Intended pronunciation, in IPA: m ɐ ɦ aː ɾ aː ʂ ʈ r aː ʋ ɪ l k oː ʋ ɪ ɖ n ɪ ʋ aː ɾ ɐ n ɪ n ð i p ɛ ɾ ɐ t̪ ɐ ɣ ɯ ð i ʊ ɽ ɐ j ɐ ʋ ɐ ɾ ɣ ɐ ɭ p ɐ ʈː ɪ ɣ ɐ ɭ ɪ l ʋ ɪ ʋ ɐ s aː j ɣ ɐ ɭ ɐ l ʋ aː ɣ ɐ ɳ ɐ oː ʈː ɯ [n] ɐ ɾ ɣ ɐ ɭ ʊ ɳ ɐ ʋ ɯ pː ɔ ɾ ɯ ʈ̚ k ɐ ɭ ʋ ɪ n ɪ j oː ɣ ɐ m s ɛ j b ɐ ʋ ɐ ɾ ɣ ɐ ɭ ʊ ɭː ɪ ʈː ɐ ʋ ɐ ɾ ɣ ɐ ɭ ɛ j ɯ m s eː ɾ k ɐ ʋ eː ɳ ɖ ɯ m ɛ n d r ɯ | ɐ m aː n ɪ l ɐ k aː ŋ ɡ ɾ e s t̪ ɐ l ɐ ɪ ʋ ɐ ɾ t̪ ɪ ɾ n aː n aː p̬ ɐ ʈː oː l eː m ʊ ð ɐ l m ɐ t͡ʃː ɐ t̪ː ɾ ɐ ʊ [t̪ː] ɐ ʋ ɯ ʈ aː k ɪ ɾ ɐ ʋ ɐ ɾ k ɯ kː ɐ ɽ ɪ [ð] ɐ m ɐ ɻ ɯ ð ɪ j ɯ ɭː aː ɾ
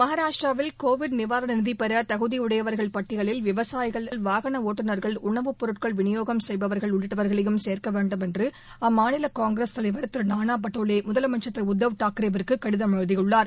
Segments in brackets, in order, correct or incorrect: correct, incorrect: d̪ː, correct

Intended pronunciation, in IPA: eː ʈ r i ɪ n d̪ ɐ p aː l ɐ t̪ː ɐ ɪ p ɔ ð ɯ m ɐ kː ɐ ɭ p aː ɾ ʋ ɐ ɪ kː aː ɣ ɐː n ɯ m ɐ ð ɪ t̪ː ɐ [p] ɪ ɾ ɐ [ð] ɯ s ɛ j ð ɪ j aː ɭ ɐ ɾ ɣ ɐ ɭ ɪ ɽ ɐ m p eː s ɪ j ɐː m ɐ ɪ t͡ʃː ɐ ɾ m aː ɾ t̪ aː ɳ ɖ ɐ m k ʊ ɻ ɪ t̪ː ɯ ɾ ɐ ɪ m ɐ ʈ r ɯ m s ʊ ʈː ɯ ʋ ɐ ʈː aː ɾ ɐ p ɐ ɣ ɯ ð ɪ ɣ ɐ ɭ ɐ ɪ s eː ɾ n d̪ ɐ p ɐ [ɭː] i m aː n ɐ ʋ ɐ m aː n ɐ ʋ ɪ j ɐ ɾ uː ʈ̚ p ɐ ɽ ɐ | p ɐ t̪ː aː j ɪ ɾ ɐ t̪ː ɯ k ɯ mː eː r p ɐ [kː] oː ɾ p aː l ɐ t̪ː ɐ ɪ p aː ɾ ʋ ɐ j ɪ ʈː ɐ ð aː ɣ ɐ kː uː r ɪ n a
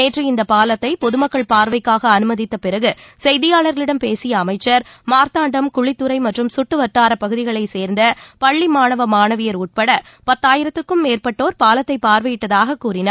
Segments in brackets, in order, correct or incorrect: correct, incorrect: ɣ, correct, incorrect: ʈː

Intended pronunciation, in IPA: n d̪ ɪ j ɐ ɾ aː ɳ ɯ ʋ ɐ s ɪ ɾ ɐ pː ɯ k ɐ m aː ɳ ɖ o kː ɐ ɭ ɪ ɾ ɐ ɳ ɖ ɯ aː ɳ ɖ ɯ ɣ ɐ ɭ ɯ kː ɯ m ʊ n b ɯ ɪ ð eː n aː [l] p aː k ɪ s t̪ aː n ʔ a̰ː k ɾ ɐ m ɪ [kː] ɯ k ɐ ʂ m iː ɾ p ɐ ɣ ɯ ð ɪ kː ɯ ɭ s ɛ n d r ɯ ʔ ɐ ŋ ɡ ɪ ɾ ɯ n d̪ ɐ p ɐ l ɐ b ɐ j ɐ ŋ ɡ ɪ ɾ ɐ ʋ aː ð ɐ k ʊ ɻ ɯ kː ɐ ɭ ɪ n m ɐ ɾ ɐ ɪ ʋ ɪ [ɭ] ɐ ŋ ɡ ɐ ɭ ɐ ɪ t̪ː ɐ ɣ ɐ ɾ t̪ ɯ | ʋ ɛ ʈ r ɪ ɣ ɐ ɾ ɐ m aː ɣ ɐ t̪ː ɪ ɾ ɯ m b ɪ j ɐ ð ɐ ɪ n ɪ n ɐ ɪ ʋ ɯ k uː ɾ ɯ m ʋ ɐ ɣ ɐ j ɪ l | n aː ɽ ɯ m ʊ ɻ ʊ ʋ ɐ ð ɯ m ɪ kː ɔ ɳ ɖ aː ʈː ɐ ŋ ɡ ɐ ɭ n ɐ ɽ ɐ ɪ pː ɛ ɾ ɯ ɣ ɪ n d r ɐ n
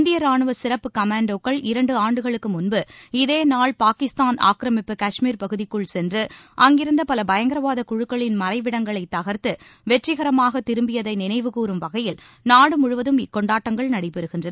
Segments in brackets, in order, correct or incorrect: incorrect: ɭ, incorrect: pː, incorrect: ɽ

